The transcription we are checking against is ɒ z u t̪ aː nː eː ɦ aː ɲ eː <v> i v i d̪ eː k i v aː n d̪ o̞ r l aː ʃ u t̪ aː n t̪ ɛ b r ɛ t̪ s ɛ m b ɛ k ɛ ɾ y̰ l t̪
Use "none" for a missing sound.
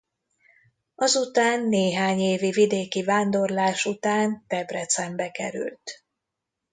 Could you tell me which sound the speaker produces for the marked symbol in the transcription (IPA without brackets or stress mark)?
v